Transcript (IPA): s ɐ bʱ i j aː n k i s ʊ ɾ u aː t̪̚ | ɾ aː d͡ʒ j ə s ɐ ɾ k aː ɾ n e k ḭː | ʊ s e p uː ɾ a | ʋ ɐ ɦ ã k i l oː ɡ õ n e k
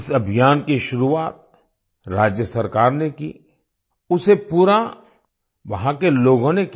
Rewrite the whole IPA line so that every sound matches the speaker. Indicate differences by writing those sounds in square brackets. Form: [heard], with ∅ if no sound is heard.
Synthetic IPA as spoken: s ɐ bʱ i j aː n k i [ʃ] ʊ ɾ u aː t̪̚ | ɾ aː d͡ʒ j ə s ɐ ɾ k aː ɾ n e k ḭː | ʊ s e p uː ɾ a | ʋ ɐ ɦ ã k [e] l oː ɡ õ n e k